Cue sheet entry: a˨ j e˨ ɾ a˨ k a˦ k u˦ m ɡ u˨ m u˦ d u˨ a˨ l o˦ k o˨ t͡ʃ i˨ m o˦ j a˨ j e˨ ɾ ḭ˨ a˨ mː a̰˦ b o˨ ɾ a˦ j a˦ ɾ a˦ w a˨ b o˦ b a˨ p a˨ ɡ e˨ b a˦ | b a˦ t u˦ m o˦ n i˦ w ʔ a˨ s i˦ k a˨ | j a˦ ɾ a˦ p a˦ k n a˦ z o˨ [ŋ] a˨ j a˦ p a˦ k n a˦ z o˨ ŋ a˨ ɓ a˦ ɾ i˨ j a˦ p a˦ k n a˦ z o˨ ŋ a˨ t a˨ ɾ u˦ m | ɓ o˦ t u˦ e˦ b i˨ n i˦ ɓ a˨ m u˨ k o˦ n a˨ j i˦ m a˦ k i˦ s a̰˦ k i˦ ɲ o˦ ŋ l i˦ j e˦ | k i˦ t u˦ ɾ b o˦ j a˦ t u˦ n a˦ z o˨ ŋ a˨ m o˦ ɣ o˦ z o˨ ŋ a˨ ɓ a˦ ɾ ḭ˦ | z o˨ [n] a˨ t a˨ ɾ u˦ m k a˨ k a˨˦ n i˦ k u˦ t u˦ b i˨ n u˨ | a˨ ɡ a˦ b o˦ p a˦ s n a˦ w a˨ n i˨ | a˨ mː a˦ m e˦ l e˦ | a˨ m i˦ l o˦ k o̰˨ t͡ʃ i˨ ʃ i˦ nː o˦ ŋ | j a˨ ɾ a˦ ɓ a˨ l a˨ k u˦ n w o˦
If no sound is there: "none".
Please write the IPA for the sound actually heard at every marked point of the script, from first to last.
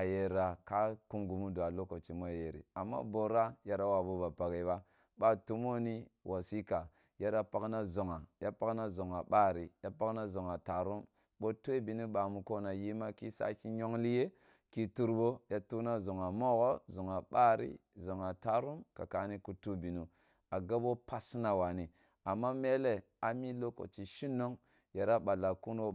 ŋ, ŋ

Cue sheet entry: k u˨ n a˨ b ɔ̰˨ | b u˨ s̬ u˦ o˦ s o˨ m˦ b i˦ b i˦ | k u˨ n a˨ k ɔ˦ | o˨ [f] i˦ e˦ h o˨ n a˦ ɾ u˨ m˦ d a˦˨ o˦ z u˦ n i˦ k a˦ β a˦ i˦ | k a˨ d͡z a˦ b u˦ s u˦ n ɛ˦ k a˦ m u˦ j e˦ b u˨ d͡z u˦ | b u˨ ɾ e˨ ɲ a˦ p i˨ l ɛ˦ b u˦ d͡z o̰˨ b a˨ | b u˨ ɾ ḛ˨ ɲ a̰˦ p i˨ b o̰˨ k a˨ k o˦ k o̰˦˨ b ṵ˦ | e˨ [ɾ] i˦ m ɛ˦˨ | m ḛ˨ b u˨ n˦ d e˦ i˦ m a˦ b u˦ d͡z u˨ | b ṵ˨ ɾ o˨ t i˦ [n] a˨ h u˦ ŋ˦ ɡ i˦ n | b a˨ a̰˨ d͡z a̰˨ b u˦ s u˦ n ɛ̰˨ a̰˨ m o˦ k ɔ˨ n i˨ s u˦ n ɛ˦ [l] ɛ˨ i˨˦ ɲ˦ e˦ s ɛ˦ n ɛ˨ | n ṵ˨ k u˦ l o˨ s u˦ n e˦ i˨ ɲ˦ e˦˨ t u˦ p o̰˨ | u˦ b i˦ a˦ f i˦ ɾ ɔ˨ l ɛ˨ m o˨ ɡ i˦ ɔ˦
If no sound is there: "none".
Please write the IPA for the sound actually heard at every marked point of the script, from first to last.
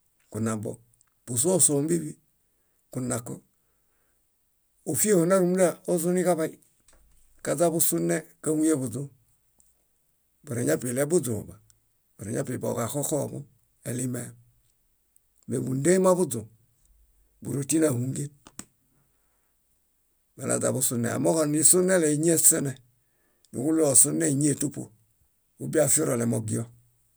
f, l, n, l

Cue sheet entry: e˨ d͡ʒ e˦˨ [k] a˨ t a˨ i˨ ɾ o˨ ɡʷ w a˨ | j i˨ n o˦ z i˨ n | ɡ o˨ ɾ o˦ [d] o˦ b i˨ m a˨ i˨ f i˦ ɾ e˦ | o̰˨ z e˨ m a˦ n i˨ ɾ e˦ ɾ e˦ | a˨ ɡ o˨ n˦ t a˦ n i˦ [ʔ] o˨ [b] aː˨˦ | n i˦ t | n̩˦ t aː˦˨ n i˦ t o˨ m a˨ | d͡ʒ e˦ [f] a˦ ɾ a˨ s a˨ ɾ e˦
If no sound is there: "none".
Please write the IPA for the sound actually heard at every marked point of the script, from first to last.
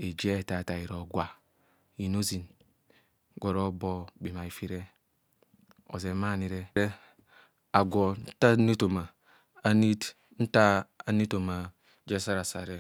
t, b, t, m, s

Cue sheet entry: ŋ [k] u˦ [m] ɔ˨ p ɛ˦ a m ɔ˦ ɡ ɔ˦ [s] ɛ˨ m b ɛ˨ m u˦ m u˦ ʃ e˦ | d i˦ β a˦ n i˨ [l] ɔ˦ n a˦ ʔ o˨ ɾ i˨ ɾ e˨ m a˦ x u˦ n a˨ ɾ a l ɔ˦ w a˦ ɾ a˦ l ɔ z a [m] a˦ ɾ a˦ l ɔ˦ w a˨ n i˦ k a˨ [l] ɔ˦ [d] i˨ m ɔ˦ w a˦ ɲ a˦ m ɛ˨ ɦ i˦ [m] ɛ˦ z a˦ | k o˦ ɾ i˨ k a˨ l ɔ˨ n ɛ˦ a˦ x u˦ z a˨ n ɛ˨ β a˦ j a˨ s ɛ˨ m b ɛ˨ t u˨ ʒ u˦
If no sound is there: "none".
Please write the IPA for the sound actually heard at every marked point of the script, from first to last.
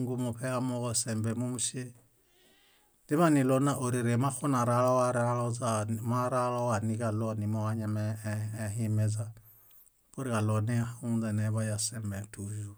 ɡ, m, s, l, m, l, n, m

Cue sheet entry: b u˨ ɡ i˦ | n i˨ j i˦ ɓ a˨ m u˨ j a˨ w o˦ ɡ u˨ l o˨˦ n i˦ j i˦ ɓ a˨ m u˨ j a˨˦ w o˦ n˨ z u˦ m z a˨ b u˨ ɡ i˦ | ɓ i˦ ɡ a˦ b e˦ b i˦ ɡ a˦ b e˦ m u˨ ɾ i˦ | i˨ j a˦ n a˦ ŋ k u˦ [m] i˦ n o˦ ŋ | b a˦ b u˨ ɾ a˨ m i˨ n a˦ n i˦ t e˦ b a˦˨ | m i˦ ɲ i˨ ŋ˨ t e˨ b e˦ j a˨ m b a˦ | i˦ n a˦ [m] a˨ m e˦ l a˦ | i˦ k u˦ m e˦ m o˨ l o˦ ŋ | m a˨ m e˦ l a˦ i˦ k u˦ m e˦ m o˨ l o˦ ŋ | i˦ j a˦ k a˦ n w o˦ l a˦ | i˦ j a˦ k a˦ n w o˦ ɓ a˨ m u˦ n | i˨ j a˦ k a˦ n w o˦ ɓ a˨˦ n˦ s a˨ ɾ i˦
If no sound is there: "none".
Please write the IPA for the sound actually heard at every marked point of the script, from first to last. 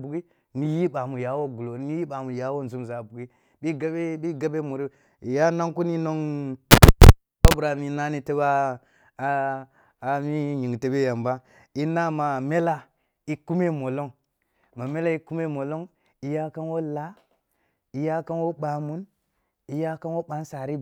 n, m

